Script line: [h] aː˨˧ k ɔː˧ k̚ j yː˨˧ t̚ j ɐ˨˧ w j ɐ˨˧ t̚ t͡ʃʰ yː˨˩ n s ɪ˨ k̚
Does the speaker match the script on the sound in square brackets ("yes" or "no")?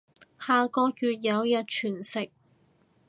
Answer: yes